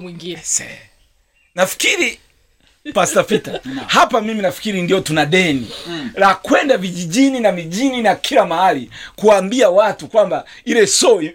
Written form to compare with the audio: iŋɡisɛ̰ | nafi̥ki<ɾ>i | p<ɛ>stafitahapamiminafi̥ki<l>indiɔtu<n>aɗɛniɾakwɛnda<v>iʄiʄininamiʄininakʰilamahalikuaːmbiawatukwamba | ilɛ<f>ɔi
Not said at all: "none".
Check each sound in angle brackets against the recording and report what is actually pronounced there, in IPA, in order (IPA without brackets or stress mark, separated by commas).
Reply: ɾ, a, ɾ, n, v, s